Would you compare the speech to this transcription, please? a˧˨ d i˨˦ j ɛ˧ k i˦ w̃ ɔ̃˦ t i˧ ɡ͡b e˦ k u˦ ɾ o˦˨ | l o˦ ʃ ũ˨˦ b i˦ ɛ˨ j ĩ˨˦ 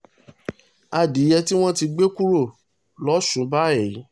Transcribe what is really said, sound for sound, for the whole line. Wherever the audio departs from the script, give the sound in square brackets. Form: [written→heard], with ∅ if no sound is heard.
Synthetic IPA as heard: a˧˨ d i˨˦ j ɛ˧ [k→t] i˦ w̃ ɔ̃˦ t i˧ ɡ͡b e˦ k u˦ ɾ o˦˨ | l [o˦→ɔ˦] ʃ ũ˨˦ b [i˦→a˦] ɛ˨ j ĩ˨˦

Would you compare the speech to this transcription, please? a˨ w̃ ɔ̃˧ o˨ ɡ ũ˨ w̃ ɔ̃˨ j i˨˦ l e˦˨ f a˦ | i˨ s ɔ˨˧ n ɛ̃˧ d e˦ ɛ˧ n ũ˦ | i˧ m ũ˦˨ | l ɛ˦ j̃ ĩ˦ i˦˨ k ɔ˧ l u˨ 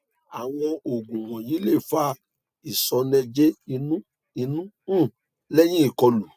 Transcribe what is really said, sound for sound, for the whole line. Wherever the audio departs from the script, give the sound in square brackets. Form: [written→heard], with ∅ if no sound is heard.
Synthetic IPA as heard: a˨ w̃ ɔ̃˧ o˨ ɡ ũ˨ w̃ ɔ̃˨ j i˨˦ l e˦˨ f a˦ | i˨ s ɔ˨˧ n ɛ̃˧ [d→d͡ʒ] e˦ [ɛ˧→i˧] n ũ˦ | i˧ [m→n] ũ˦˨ | l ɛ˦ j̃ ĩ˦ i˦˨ k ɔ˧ l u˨

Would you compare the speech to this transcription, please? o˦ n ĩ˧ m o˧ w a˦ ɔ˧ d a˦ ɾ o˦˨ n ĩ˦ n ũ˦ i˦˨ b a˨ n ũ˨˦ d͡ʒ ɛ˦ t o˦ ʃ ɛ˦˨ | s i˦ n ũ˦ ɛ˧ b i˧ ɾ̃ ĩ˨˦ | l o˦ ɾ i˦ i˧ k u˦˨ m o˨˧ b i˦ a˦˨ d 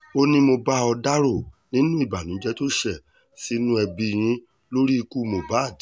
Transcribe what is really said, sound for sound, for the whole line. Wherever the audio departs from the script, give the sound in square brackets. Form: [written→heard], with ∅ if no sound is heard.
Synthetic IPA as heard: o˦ n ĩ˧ m o˧ [w→b] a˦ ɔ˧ d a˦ ɾ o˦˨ n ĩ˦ n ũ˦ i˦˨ b a˨ n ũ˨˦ d͡ʒ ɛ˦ t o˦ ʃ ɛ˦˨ | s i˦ n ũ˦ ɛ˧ b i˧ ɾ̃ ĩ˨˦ | l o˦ ɾ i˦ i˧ k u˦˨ m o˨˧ b [i˦→a˦] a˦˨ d

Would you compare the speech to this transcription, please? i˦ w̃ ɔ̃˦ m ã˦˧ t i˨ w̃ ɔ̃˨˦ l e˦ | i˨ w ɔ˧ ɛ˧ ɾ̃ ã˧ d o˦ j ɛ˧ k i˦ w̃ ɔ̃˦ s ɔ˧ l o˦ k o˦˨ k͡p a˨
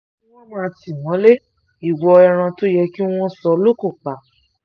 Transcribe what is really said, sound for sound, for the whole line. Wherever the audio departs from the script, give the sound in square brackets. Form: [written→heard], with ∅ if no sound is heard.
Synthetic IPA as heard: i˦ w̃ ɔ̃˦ m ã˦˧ t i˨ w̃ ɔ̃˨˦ l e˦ | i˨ w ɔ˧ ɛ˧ ɾ̃ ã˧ [d→t] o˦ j ɛ˧ k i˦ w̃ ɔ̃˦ s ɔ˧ l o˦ k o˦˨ k͡p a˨

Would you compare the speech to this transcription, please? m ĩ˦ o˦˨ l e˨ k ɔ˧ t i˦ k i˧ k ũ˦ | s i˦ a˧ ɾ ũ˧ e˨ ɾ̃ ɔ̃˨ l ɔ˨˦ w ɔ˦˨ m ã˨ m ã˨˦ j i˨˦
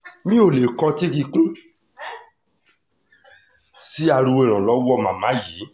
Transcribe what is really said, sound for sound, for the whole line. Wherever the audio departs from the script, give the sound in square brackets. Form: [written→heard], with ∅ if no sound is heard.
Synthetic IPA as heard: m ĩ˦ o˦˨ l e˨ k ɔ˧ t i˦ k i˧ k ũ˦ | s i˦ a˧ ɾ [ũ˧→u˧] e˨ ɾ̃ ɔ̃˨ l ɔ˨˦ w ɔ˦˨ m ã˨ m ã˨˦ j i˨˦

